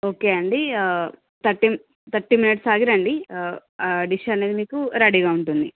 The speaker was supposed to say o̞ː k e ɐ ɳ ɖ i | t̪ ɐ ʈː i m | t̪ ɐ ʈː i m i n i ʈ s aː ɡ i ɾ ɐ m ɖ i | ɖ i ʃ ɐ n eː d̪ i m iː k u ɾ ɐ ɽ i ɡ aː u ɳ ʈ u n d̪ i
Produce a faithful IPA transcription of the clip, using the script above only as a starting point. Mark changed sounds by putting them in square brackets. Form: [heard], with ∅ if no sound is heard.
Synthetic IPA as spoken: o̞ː k e ɐ ɳ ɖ i | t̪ ɐ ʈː i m | t̪ ɐ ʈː i m i n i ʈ s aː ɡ i ɾ ɐ [ɳ] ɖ i | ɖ i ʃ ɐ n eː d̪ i m iː k u ɾ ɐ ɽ i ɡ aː u ɳ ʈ u n d̪ i